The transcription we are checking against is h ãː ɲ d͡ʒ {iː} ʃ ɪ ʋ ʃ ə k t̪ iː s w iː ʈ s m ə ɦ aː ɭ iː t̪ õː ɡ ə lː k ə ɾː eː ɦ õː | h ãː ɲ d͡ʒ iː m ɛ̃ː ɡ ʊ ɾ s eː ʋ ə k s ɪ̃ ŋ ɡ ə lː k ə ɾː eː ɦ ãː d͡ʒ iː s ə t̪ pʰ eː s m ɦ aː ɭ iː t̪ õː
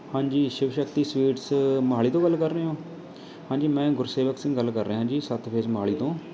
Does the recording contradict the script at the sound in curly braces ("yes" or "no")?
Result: no